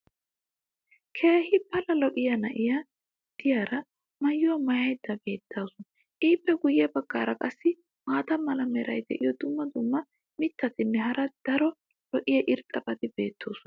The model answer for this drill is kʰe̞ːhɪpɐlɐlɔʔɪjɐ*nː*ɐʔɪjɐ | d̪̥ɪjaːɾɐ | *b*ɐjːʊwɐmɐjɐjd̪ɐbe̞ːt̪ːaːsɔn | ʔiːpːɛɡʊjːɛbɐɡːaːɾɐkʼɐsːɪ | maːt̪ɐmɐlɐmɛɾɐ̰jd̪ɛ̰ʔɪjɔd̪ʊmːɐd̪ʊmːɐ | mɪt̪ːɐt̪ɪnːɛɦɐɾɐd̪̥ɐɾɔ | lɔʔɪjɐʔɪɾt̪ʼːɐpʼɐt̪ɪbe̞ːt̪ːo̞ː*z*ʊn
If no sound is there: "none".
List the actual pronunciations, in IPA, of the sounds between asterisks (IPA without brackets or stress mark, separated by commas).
n, m, s